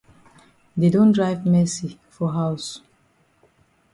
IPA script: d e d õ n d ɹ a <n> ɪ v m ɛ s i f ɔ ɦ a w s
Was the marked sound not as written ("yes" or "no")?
yes